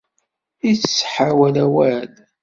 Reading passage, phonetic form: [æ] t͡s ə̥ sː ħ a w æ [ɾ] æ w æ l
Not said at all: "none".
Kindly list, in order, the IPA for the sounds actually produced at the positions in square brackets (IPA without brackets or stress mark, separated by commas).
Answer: i, l